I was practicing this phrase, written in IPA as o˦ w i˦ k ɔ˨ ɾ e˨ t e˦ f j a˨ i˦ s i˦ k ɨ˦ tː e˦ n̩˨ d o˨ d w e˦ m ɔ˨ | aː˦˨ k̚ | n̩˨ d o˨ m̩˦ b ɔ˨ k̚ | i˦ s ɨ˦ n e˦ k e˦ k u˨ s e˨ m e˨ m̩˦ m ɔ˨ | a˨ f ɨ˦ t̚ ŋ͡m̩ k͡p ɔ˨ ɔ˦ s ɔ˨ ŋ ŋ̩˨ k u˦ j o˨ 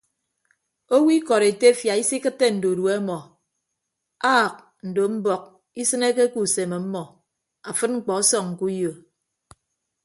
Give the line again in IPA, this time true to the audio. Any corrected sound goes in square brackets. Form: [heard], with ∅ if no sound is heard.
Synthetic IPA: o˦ w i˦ k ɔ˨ ɾ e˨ t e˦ f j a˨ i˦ s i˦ k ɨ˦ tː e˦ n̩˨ d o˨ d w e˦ m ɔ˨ | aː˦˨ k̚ | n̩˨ d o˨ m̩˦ b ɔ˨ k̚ | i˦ s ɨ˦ n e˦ k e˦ k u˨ s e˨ m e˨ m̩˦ m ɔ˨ | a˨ f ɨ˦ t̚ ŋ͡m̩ k͡p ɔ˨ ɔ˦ s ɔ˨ ŋ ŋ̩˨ k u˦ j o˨